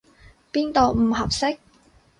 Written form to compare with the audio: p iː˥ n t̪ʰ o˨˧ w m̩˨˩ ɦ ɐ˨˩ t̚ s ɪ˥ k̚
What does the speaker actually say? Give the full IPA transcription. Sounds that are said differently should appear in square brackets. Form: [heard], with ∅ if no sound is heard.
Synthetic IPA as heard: p iː˥ n [t̪] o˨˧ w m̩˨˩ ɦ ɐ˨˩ [p̚] s ɪ˥ k̚